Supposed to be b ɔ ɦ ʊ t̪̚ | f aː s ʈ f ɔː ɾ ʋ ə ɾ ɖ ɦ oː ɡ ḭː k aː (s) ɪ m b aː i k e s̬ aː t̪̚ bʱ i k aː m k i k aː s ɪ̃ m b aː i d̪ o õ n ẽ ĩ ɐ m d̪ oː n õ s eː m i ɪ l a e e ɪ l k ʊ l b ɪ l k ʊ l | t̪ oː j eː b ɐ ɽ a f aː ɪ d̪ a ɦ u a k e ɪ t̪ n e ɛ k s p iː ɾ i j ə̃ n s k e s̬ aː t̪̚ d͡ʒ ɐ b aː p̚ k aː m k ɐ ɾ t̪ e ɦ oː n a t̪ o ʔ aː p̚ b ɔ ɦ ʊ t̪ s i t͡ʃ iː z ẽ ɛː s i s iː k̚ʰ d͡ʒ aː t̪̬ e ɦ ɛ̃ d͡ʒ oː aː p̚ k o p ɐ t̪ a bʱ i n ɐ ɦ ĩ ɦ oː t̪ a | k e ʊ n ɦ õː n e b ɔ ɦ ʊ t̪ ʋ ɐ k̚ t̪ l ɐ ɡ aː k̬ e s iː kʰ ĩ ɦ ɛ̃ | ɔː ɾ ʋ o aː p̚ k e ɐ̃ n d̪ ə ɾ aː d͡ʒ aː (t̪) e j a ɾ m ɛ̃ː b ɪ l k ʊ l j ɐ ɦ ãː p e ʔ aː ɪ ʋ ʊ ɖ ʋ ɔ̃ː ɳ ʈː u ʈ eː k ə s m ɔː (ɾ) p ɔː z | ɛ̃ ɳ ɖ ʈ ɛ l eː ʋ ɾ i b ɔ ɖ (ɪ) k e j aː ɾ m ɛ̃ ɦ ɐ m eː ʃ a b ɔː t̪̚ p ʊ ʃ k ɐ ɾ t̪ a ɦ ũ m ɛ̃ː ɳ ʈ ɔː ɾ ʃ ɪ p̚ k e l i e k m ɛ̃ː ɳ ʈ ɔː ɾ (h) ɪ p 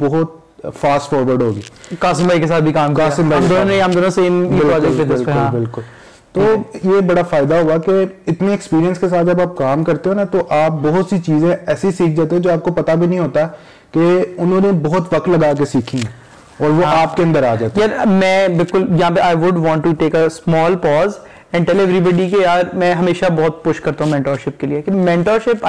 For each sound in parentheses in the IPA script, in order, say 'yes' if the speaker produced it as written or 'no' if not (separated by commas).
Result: yes, yes, no, no, no